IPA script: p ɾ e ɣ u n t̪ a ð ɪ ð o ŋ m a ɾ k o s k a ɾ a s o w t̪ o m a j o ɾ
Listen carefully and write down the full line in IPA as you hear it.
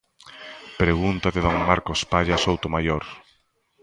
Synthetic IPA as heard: p ɾ e ɣ u n t̪ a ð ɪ ð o ŋ m a ɾ k o s p a ʎ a s o w t̪ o m a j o ɾ